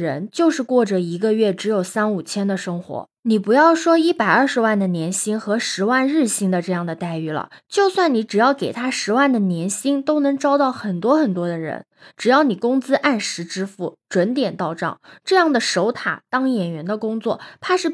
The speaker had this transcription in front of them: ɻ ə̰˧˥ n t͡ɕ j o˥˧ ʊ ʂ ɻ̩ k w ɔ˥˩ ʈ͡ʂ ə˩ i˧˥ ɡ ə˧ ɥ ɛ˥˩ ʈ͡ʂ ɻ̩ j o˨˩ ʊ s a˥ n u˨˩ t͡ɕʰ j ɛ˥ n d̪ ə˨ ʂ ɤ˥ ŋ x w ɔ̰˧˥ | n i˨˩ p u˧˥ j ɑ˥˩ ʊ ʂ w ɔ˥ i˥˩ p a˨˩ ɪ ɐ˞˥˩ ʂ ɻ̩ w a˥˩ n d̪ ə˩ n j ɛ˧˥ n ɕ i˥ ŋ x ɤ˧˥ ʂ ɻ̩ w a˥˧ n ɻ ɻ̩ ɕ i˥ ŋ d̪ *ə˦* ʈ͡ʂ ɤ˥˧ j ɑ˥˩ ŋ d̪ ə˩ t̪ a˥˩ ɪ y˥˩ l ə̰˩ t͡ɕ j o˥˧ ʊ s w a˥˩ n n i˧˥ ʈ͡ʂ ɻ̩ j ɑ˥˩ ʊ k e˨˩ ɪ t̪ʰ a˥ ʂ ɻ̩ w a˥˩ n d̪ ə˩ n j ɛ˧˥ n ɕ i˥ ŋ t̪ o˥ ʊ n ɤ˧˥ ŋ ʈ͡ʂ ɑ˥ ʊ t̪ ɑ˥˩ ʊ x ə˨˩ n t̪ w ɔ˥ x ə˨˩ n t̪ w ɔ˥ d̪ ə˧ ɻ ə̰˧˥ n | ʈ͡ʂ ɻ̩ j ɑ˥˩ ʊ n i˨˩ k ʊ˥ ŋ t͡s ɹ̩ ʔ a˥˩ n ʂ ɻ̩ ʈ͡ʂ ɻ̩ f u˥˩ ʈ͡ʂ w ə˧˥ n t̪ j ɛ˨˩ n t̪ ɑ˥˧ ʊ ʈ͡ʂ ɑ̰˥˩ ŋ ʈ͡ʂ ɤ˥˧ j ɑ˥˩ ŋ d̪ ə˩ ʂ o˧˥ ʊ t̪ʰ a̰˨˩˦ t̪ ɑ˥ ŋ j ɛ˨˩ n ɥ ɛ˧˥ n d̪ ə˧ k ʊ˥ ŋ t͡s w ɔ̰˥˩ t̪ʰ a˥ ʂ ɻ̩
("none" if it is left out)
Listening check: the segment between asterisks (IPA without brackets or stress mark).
ə˨˧